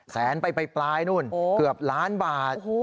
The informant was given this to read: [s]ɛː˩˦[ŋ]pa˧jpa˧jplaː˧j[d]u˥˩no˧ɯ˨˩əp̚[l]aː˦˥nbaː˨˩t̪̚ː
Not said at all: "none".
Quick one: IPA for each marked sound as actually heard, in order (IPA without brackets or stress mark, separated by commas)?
s, n, n, l